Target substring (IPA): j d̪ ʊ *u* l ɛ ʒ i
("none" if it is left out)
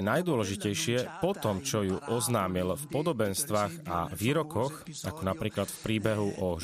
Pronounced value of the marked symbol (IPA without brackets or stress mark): ɔ